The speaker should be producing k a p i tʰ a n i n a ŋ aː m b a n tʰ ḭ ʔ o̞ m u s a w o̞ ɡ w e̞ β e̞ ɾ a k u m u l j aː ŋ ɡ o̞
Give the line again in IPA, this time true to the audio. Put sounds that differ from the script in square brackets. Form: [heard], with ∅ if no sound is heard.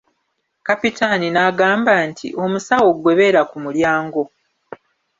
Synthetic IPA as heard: k a p i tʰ a n i n a [ɡ] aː m b a n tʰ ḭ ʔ o̞ m u s a w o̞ ɡ w e̞ β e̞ ɾ a k u m u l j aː ŋ ɡ o̞